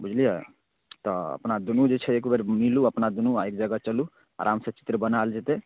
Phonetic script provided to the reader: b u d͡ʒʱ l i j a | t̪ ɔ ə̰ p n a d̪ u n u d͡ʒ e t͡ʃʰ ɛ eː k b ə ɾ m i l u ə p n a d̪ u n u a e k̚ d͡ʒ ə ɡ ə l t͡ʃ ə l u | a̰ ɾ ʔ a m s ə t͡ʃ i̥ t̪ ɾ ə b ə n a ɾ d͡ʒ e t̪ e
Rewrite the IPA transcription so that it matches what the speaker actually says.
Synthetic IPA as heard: b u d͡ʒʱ l i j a | t̪ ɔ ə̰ p n a d̪ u n u d͡ʒ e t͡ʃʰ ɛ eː k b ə ɾ m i l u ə p n a d̪ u n u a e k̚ d͡ʒ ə ɡ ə t͡ʃ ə l u | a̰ ɾ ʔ a m s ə t͡ʃ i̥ t̪ ɾ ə b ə n a l d͡ʒ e t̪ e